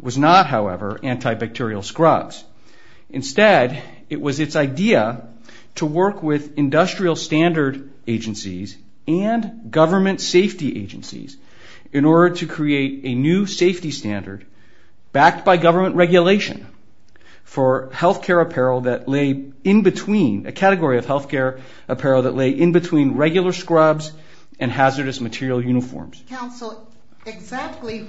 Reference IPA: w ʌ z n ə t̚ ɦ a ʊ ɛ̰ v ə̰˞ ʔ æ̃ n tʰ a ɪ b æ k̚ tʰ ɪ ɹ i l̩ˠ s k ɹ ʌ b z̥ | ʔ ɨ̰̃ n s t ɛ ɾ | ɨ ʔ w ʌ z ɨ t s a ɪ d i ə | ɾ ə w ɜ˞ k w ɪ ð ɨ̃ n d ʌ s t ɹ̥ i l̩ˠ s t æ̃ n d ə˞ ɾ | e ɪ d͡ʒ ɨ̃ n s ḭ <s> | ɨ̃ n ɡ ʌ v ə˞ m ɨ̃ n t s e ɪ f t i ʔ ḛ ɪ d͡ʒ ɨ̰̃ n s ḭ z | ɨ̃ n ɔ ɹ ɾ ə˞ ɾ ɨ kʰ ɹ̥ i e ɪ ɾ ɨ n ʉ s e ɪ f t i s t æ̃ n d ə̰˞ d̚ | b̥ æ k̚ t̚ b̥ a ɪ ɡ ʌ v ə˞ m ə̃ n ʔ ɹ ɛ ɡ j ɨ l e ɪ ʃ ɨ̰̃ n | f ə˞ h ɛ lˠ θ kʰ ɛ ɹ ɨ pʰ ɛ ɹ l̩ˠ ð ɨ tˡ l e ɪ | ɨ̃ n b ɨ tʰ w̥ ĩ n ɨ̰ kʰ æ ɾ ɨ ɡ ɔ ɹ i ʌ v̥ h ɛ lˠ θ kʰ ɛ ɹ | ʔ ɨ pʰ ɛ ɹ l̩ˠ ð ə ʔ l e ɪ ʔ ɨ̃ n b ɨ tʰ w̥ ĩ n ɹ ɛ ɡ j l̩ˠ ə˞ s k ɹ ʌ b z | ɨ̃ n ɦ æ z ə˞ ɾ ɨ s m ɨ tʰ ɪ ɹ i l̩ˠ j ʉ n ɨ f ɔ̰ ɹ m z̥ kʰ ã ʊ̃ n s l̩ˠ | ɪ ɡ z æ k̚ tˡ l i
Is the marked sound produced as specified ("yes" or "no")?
no